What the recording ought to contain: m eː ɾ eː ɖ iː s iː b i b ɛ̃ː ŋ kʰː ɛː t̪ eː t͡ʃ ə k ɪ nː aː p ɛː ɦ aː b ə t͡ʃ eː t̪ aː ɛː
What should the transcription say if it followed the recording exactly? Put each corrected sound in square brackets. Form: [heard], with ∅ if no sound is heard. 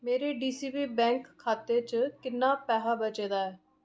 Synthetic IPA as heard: m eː ɾ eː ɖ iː s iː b [iː] b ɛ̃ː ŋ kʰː [aː] t̪ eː t͡ʃ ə k ɪ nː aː p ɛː ɦ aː b ə t͡ʃ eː [d̪] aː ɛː